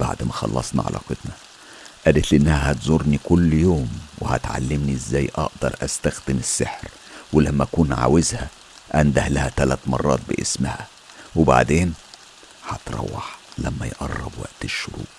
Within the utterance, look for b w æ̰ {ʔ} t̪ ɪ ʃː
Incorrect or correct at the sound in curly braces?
correct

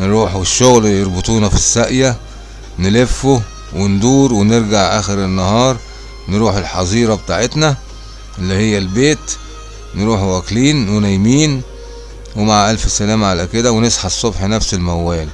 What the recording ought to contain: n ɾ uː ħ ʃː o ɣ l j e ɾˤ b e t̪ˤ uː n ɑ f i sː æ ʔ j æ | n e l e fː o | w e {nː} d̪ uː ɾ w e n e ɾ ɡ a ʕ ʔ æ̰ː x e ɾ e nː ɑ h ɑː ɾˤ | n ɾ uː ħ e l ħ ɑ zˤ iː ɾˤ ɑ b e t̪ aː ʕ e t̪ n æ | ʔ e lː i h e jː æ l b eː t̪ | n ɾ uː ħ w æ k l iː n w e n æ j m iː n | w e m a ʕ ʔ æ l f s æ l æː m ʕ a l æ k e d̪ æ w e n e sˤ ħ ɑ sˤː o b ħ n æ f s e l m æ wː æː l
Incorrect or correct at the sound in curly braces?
incorrect: n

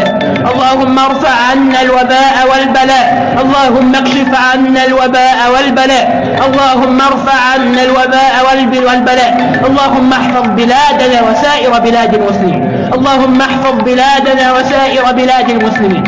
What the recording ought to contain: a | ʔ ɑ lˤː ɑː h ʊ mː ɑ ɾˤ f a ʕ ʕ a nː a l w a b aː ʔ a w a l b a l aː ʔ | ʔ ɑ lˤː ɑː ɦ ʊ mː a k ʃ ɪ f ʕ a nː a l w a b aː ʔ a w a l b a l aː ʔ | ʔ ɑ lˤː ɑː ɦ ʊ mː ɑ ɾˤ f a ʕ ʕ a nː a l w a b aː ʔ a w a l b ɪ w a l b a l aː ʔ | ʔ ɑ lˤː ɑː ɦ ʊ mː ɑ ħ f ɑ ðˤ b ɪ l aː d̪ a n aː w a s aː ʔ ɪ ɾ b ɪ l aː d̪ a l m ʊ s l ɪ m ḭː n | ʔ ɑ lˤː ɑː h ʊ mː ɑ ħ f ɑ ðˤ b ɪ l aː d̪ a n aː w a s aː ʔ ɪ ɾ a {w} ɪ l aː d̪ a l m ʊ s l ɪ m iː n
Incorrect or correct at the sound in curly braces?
incorrect: b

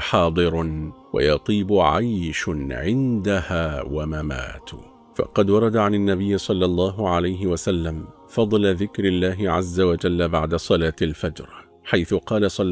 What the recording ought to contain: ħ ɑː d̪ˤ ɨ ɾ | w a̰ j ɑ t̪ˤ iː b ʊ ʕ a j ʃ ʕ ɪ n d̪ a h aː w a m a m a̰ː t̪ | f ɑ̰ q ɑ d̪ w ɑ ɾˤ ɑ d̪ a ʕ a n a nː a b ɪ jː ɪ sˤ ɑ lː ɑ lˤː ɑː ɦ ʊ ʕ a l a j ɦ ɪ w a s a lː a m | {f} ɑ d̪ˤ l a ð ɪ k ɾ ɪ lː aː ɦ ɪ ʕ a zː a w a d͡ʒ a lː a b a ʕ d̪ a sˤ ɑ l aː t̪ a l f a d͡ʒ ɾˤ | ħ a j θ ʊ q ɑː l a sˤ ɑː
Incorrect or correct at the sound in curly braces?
correct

